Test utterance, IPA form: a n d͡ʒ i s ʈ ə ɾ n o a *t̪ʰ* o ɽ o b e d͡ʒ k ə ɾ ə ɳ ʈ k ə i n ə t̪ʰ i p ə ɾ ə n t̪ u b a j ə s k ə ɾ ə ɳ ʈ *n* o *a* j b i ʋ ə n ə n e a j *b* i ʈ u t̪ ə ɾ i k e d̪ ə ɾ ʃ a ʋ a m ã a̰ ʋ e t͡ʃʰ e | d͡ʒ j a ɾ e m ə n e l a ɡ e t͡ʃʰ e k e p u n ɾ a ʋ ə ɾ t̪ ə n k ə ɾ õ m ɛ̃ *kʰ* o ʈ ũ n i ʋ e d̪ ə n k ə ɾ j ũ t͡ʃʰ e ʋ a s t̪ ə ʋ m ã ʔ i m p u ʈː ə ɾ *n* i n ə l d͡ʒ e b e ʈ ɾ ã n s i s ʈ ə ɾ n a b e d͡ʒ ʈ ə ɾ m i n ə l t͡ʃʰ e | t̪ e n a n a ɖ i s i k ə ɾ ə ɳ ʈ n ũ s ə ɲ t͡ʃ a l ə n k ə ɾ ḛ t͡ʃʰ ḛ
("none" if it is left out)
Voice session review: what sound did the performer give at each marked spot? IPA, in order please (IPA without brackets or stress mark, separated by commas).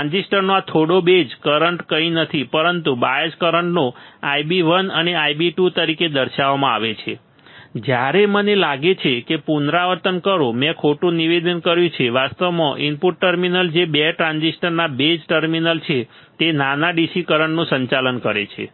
t̪ʰ, n, a, b, kʰ, m